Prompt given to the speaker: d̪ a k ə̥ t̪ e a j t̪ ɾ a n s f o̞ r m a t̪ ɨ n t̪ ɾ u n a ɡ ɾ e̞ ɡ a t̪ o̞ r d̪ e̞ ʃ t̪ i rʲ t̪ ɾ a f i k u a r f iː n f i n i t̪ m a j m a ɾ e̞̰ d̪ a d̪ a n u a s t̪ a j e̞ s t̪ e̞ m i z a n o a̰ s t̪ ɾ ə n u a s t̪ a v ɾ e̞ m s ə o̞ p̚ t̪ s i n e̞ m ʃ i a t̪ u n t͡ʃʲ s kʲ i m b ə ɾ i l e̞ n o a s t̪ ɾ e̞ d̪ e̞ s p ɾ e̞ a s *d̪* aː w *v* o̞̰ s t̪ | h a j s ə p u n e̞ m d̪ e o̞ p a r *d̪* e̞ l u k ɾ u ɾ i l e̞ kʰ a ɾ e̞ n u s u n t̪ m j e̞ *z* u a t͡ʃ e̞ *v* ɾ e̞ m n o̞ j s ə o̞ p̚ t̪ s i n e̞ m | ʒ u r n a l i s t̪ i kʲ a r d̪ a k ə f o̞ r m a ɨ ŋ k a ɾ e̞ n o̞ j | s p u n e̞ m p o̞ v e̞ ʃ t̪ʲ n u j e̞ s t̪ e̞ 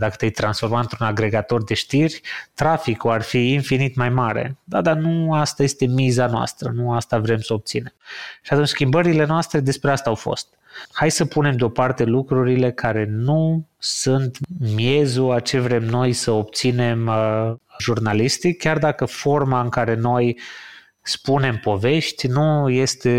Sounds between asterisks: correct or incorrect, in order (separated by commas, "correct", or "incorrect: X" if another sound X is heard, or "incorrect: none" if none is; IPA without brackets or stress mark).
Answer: incorrect: t̪, incorrect: f, incorrect: t̪, correct, correct